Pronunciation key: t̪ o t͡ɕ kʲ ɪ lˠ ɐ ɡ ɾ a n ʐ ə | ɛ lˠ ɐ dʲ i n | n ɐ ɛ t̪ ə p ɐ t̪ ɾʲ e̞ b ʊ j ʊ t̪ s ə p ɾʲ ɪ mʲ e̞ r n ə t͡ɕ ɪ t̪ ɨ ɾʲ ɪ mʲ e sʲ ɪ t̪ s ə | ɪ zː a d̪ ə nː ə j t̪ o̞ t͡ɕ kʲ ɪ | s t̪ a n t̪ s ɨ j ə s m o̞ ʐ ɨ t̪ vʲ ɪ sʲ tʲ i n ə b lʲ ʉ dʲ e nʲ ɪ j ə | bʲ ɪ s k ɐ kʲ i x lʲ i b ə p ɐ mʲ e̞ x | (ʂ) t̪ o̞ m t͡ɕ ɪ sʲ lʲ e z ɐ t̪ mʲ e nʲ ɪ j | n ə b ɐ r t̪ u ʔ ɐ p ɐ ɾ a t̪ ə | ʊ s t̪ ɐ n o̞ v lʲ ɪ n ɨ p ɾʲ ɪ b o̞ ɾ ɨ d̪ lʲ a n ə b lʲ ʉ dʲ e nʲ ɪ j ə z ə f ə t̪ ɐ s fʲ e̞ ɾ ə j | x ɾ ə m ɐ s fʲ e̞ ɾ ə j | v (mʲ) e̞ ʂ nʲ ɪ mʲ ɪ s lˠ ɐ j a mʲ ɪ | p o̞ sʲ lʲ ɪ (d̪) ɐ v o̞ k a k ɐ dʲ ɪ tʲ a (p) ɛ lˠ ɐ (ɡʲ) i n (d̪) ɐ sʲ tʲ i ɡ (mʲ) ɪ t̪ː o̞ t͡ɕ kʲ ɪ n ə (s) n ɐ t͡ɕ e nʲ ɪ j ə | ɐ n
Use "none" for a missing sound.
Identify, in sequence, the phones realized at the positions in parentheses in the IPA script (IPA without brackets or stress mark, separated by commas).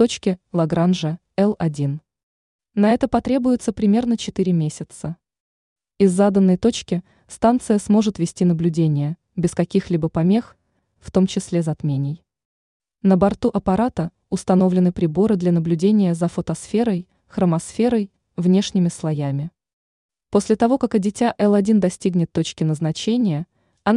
f, nʲ, t̪, ʔ, dʲ, d̪, nʲ, z